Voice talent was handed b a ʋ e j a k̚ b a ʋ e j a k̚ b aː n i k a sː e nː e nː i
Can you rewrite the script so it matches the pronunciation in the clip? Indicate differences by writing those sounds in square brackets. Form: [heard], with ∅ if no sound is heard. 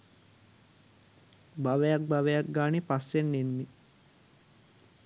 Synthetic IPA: b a ʋ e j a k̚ b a ʋ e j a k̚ [ɡ] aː n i [p] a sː e nː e nː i